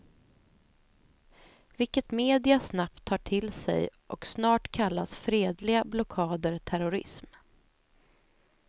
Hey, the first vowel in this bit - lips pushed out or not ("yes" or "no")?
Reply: no